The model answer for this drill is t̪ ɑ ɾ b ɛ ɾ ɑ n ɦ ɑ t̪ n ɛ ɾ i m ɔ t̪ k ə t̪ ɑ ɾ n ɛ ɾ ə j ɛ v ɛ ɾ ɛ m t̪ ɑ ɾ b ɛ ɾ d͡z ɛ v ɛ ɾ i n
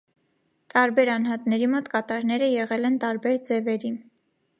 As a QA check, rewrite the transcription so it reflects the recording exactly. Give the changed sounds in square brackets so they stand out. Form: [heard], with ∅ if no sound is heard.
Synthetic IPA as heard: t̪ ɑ ɾ b ɛ ɾ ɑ n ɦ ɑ t̪ n ɛ ɾ i m ɔ t̪ k [ɑ] t̪ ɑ ɾ n ɛ ɾ ə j ɛ [ʁ] ɛ [l] ɛ [n] t̪ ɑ ɾ b ɛ ɾ d͡z ɛ v ɛ ɾ i n